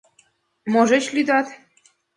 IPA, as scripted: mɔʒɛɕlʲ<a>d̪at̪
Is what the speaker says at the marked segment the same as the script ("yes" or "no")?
no